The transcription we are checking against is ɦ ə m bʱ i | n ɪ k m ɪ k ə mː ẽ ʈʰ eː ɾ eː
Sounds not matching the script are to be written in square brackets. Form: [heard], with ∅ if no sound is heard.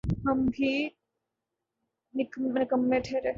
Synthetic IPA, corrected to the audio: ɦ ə m bʱ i | n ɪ k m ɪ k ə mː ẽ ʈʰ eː ɾ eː

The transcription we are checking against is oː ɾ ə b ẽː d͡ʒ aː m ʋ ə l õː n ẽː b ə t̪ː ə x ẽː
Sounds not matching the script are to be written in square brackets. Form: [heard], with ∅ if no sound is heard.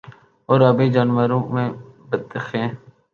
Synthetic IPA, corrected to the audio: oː ɾ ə b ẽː d͡ʒ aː [n] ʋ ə [ɾ] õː [m] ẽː b ə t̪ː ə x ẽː

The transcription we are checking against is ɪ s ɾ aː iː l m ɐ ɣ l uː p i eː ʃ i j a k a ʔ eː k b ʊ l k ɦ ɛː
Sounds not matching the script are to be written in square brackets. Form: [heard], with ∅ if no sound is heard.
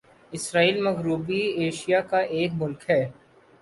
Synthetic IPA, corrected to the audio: ɪ s ɾ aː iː l m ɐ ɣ [ɾ] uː [b] i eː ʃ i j a k a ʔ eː k [m] ʊ l k ɦ ɛː

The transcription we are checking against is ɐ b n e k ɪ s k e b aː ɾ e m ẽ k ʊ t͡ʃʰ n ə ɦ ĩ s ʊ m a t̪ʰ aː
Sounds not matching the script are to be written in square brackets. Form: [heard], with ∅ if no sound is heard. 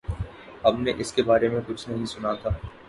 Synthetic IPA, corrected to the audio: ɐ b n e [ʔ] ɪ s k e b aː ɾ e m ẽ k ʊ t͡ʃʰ n [ɐ] ɦ ĩ s ʊ [n] a t̪ʰ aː

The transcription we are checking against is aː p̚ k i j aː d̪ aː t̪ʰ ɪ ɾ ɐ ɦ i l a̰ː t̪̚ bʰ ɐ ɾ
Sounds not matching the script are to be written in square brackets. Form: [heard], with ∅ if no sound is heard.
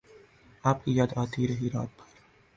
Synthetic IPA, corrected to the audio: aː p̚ k i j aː d̪ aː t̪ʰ [i] ɾ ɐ ɦ i [ɾ] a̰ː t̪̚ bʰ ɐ ɾ

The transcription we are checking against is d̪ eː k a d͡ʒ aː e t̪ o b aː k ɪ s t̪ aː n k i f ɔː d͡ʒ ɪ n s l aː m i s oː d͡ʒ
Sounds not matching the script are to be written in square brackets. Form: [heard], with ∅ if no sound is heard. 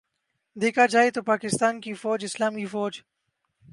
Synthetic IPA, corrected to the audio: d̪ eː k a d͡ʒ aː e t̪ o [p] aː k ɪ s t̪ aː n k i f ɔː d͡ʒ ɪ [∅] s l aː m i [f] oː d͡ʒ

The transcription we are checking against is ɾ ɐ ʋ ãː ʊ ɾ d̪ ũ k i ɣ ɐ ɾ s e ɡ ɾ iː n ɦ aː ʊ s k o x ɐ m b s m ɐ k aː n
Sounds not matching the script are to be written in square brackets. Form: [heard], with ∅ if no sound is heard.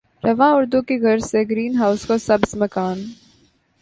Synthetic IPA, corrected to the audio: ɾ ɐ ʋ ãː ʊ ɾ d̪ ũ k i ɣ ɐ ɾ s e ɡ ɾ iː n ɦ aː ʊ s k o [s] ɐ [∅] b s m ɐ k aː n

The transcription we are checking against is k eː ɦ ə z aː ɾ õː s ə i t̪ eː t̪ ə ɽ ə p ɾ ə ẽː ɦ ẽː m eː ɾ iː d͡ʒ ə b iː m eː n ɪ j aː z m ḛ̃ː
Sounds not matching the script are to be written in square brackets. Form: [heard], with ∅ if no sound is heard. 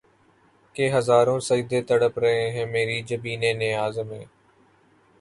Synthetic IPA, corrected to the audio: k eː ɦ ə z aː ɾ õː s ə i [d̪] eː t̪ ə ɽ ə p ɾ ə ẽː ɦ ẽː m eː ɾ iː d͡ʒ ə b iː [n] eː n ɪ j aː z m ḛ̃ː

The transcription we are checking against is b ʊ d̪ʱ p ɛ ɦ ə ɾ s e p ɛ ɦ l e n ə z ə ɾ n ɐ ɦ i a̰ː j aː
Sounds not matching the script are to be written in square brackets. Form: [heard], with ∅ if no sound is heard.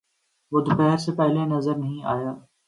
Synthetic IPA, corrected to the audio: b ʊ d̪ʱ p ɛ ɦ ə ɾ s e p ɛ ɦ l e n [ɐ] z ə ɾ n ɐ ɦ [ĩ] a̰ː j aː

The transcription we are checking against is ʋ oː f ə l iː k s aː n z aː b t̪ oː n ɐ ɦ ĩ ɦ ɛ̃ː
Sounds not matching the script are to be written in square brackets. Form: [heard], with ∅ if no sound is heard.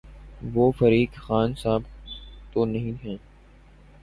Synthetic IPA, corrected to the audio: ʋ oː f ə [ɾ] iː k [x] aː n [s] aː b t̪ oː n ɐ ɦ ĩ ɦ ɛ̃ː

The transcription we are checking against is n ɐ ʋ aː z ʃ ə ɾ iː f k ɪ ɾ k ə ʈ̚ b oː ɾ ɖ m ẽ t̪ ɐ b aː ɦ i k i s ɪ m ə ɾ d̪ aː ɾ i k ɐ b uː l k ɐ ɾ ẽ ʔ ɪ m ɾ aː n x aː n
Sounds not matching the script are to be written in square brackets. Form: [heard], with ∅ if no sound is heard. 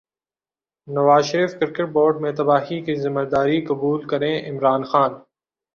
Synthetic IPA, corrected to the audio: n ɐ ʋ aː z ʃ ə ɾ iː f k ɪ ɾ k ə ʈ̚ b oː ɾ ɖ m ẽ t̪ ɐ b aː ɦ i k i [z] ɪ m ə ɾ d̪ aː ɾ i k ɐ b uː l k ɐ ɾ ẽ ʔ ɪ m ɾ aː n x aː n

